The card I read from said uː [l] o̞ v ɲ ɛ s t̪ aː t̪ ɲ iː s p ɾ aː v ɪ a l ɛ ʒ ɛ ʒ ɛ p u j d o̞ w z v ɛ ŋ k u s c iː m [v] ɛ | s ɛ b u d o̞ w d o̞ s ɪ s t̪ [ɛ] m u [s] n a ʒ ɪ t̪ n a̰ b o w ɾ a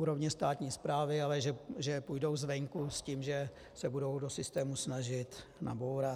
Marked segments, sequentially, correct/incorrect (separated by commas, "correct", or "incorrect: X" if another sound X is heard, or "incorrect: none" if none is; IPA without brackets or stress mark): incorrect: ɾ, incorrect: ʒ, incorrect: ɛː, correct